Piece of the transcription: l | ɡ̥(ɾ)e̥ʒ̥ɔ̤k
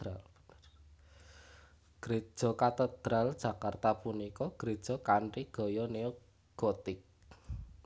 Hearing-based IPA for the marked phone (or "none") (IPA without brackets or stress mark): ɾ